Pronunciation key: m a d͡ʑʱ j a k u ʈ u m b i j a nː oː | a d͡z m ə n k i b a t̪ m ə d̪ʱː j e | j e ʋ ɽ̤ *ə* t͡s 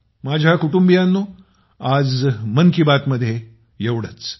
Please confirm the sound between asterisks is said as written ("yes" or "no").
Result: yes